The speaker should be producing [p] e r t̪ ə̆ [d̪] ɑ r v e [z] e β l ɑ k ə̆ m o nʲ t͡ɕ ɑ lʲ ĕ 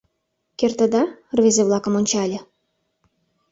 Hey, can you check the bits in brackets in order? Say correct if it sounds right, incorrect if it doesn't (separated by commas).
incorrect, correct, correct